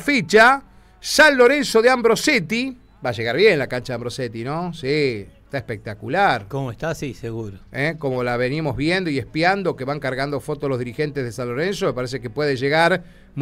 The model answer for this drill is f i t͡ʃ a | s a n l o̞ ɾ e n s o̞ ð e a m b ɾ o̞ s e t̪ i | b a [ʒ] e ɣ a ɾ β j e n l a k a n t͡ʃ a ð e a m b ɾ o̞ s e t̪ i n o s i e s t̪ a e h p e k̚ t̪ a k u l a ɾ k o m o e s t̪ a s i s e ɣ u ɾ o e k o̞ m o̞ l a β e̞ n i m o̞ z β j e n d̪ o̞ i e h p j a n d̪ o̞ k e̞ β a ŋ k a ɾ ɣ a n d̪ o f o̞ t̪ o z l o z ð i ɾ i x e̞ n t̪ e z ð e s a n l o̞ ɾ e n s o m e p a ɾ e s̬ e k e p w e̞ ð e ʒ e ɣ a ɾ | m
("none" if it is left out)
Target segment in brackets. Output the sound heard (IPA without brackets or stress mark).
ʒ